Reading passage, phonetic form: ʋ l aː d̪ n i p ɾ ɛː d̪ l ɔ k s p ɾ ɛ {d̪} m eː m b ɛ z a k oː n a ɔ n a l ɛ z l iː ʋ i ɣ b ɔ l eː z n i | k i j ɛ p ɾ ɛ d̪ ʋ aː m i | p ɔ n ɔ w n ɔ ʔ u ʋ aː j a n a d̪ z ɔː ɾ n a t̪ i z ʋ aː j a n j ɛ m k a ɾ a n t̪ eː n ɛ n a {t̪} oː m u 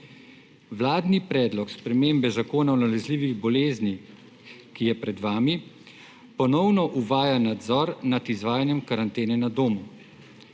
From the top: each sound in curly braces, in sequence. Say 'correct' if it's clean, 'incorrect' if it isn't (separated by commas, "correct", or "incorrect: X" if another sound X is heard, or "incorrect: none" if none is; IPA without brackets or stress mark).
incorrect: none, incorrect: d̪